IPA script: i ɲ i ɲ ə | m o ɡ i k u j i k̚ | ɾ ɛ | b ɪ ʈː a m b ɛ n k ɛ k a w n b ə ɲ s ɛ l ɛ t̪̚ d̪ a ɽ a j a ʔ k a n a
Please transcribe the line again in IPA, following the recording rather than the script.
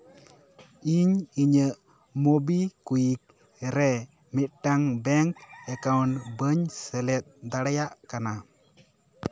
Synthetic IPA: i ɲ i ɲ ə | m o b i k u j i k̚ | ɾ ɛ | m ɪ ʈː a ŋ b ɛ ŋ k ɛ k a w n b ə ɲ s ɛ l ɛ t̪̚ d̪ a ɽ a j a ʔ k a n a